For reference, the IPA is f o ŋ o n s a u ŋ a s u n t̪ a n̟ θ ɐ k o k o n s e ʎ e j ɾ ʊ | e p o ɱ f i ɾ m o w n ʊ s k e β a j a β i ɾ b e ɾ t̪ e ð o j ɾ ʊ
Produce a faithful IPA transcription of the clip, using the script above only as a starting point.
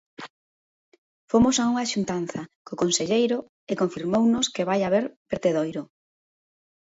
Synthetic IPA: f o m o s a u ŋ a ʃ u n t̪ a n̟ θ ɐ k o k o n s e ʎ e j ɾ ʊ | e k o ɱ f i ɾ m o w n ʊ s k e β a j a β e ɾ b e ɾ t̪ e ð o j ɾ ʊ